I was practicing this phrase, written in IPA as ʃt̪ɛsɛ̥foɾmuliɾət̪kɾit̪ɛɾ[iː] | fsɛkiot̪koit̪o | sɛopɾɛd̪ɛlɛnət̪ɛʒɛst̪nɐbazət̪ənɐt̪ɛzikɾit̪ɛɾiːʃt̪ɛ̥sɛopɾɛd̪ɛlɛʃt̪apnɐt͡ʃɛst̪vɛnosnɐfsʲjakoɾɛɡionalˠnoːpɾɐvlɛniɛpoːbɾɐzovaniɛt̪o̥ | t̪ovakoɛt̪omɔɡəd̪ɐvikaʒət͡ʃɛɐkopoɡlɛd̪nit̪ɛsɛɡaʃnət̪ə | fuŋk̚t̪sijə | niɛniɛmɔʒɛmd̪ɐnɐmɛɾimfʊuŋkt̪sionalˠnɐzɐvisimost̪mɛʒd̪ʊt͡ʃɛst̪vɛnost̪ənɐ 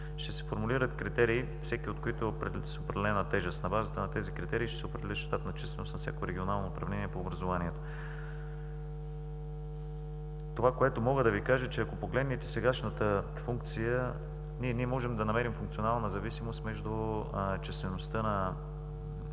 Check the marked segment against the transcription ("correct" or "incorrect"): correct